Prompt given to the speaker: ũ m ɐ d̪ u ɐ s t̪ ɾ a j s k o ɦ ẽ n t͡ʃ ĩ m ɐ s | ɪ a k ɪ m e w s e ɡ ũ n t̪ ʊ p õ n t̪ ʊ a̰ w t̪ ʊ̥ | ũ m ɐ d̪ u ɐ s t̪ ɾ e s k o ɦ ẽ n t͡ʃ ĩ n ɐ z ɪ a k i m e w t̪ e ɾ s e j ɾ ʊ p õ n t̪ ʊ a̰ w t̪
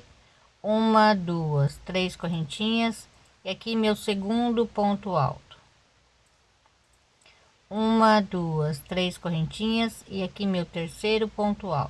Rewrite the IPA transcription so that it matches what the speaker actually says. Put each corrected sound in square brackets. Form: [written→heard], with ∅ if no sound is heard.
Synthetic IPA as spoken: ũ m ɐ d̪ u ɐ s t̪ ɾ [a→e] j s k o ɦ ẽ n t͡ʃ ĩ [m→ɲ] ɐ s | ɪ a k [ɪ→i] m e w s e ɡ ũ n [t̪→d̪] ʊ p õ n t̪ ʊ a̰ w t̪ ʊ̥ | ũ m ɐ d̪ u ɐ s t̪ ɾ e s k o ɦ ẽ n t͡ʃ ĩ [n→ɲ] ɐ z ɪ a k i m e w t̪ e ɾ s e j ɾ ʊ p õ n t̪ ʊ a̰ w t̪

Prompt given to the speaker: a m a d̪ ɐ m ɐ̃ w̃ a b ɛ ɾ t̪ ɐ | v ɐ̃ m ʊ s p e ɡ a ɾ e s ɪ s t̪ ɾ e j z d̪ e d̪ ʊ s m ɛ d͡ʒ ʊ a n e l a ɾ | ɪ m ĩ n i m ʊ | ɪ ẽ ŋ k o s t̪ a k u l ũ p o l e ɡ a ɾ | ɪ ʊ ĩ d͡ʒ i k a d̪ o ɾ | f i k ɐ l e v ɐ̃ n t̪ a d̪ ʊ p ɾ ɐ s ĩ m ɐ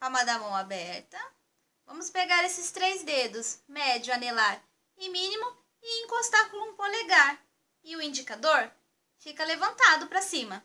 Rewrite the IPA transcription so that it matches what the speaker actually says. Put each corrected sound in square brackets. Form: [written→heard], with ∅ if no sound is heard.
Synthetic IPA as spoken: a m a d̪ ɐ m ɐ̃ w̃ a b ɛ ɾ t̪ ɐ | v ɐ̃ m ʊ s p e ɡ a ɾ e s ɪ s t̪ ɾ e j z d̪ e d̪ ʊ s m ɛ d͡ʒ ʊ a n e l a ɾ | ɪ m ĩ n i m ʊ | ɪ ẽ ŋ k o s t̪ a k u l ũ p o l e ɡ a ɾ | ɪ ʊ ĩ d͡ʒ i k a d̪ o ɾ | f i k ɐ l e v ɐ̃ n t̪ a d̪ ʊ p ɾ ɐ s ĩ m ɐ

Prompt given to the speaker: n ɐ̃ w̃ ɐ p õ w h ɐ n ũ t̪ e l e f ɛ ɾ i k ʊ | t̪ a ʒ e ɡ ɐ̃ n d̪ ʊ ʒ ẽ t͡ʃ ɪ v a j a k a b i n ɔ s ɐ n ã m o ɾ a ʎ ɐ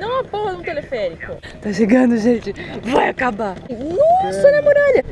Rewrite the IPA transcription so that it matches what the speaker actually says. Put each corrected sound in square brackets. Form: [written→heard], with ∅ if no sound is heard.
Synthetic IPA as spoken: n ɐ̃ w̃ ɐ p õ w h ɐ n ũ t̪ e l e f ɛ ɾ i k ʊ | t̪ a [ʒ→ʃ] e ɡ ɐ̃ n d̪ ʊ ʒ ẽ t͡ʃ ɪ v a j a k a b [i→a] n ɔ s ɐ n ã m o ɾ a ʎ ɐ

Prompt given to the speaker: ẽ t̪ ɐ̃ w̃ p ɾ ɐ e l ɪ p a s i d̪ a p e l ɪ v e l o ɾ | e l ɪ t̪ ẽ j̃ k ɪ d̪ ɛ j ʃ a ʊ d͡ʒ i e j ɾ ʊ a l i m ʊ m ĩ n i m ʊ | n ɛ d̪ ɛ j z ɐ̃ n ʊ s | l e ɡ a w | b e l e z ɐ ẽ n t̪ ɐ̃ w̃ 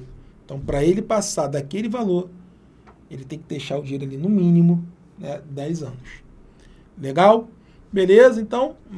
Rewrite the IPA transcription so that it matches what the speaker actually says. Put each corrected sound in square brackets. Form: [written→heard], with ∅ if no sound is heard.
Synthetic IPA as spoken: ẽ t̪ ɐ̃ w̃ p ɾ ɐ e l ɪ p a s [i→a] d̪ a [p→k] e l ɪ v [e→a] l o ɾ | e l ɪ t̪ ẽ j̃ k ɪ d̪ [ɛ→e] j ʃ a ʊ d͡ʒ i e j ɾ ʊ a l i [m→n] ʊ m ĩ n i m ʊ | n ɛ d̪ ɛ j z ɐ̃ n ʊ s | l e ɡ a w | b e l e z ɐ ẽ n t̪ ɐ̃ w̃

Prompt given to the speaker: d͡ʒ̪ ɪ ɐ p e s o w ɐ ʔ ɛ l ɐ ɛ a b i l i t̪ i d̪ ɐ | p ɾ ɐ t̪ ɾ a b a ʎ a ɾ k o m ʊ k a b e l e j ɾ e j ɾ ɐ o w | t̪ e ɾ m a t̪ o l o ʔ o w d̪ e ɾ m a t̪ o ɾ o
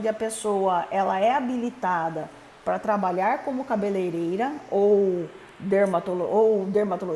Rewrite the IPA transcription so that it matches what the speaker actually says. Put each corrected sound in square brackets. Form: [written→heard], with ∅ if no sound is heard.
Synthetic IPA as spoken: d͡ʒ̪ ɪ ɐ p e s o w ɐ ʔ ɛ l ɐ ɛ a b i l i t̪ [i→a] d̪ ɐ | p ɾ ɐ t̪ ɾ a b a ʎ a ɾ k [o→õ] m ʊ k a b e l e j ɾ e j ɾ ɐ o w | [t̪→d̪] e ɾ m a t̪ o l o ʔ o w d̪ e ɾ m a t̪ o [ɾ→l] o

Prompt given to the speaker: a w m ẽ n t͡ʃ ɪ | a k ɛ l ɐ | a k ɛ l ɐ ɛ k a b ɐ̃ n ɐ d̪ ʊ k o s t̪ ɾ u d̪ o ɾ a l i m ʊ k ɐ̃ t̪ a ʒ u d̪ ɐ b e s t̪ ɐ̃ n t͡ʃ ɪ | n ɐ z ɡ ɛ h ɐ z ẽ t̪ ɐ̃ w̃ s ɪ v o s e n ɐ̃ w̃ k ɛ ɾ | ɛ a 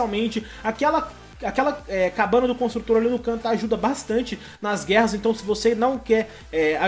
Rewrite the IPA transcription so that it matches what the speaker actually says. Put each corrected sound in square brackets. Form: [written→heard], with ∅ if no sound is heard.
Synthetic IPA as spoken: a w m ẽ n t͡ʃ ɪ | a k ɛ l ɐ | a k ɛ l ɐ ɛ k a b ɐ̃ n ɐ d̪ ʊ k [o→õ] s t̪ ɾ u [d̪→t̪] o ɾ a l i [m→n] ʊ k ɐ̃ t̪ a ʒ u d̪ ɐ b [e→a] s t̪ ɐ̃ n t͡ʃ ɪ | n ɐ z ɡ ɛ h ɐ z ẽ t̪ ɐ̃ w̃ s ɪ v o s e n ɐ̃ w̃ k ɛ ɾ | ɛ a

